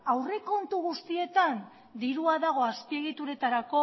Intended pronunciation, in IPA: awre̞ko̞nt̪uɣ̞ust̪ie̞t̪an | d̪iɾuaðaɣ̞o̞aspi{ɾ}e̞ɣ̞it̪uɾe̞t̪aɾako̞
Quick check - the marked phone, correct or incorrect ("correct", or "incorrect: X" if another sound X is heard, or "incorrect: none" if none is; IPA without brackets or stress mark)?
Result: incorrect: none